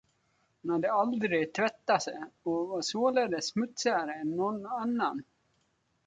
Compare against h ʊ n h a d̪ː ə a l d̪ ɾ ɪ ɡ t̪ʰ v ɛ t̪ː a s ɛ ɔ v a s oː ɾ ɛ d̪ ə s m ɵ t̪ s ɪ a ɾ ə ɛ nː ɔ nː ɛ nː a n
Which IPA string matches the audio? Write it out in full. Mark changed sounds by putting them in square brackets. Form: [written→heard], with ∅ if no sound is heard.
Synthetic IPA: h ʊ n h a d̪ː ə a l d̪ ɾ ɪ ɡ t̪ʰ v ɛ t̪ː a s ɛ ɔ v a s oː [ɾ→l] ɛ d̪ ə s m ɵ t̪ s ɪ a ɾ ə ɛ nː ɔ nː [ɛ→a] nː a n